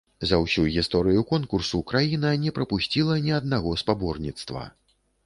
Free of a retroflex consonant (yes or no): yes